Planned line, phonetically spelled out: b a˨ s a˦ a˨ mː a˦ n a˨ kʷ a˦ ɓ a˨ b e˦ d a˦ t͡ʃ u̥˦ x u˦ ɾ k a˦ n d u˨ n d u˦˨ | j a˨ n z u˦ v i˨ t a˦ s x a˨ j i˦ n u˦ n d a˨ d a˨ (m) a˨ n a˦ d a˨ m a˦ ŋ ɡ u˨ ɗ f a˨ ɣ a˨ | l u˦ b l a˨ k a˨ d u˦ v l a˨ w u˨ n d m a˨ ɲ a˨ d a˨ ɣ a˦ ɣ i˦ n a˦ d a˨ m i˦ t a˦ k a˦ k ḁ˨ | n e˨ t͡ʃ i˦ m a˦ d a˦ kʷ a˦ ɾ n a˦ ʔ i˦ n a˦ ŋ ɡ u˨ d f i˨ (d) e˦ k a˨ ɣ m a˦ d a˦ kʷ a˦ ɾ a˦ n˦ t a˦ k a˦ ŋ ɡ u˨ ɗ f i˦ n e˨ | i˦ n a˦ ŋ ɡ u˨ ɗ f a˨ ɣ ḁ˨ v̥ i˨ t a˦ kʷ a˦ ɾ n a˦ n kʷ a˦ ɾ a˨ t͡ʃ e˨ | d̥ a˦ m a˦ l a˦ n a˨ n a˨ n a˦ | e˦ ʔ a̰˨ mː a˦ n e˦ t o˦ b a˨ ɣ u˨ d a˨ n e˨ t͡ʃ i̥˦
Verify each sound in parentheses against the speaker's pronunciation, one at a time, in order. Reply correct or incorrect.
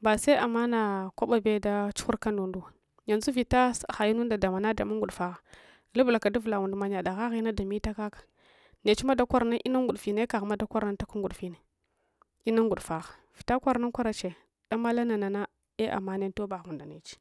correct, incorrect: n

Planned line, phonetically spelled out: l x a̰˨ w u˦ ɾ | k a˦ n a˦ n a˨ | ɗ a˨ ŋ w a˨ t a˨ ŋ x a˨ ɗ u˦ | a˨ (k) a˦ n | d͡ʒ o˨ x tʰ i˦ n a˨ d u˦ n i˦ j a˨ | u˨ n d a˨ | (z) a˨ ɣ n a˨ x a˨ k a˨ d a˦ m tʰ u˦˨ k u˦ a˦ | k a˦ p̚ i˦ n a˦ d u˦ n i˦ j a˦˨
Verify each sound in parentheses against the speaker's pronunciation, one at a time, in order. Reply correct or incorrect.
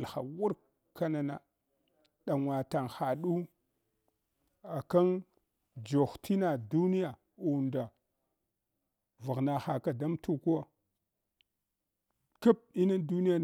correct, incorrect: v

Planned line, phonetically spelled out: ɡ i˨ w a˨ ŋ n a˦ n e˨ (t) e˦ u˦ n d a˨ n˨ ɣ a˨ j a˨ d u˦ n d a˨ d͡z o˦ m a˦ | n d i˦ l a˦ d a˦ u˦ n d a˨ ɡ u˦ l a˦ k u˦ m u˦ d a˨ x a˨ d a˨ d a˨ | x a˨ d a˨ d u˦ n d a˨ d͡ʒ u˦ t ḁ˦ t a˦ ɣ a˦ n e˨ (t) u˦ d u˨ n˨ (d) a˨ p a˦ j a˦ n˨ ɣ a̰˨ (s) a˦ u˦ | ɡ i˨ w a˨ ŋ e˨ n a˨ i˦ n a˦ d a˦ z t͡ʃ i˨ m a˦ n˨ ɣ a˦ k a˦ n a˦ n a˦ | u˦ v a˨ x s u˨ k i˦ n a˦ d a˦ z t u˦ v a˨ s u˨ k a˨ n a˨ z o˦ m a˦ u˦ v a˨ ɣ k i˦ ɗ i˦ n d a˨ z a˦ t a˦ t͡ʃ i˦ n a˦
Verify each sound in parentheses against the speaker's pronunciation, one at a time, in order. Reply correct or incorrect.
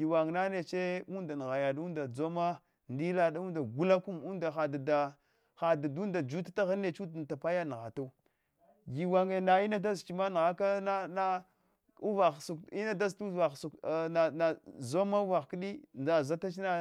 incorrect: t͡ʃ, incorrect: t͡ʃ, incorrect: t, incorrect: t

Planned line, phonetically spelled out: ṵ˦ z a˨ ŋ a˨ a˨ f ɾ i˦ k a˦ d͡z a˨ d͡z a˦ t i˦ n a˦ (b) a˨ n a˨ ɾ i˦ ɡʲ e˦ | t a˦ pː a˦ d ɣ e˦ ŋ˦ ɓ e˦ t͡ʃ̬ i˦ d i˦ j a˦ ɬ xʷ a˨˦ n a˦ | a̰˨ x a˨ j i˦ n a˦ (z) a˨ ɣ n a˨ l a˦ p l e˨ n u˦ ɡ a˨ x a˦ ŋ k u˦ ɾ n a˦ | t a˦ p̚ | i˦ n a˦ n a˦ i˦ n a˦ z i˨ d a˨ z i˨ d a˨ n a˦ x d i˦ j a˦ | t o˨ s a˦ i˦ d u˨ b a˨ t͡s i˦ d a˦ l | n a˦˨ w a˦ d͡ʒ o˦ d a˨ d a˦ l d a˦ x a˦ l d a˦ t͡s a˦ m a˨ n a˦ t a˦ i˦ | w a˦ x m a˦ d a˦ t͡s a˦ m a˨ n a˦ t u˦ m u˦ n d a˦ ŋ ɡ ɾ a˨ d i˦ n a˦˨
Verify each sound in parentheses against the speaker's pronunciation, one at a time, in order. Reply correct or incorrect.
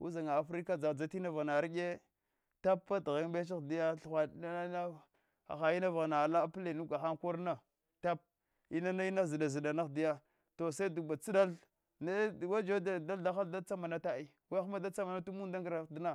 incorrect: v, incorrect: v

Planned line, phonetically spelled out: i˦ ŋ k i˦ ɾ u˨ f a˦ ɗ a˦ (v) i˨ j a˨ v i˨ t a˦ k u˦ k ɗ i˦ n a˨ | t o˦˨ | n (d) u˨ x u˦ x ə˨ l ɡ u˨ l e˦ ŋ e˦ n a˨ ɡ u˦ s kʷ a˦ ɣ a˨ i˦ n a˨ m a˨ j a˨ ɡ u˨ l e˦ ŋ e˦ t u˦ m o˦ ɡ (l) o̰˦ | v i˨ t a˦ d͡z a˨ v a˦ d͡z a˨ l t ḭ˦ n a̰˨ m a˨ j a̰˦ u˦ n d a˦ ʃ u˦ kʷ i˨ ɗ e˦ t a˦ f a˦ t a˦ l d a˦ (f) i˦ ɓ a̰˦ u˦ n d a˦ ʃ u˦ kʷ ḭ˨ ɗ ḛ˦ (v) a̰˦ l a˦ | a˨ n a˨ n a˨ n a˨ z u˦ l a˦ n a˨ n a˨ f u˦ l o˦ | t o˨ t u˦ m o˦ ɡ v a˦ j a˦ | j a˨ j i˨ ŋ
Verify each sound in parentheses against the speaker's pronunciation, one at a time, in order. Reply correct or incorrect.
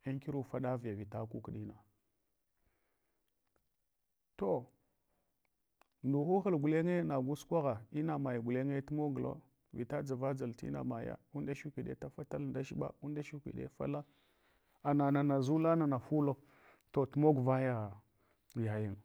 correct, correct, correct, incorrect: ʃ, incorrect: f

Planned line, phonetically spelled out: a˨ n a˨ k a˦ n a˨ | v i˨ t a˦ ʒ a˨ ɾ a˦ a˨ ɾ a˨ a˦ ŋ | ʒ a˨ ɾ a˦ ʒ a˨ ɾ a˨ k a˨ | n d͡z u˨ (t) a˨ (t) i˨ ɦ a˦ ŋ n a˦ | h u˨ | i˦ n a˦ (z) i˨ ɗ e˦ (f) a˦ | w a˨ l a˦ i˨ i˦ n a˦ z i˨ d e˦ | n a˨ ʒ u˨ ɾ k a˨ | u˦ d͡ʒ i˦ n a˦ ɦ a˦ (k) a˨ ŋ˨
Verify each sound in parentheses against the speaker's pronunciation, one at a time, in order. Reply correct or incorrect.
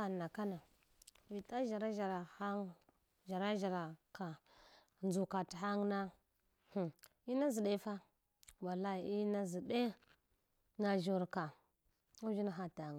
incorrect: k, correct, correct, correct, incorrect: t

